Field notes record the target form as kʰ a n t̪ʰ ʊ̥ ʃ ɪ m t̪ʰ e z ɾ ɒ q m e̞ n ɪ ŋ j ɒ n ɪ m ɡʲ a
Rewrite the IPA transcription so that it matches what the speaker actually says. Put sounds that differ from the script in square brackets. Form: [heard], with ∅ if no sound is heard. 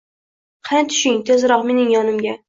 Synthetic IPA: [qʰ] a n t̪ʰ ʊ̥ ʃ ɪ [ŋ] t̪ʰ e z ɾ ɒ q m e̞ n ɪ ŋ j ɒ n ɪ m ɡʲ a